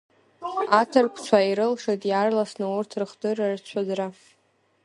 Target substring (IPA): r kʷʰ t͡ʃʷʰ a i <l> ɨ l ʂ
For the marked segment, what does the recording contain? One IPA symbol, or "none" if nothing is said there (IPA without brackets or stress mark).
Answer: ɾ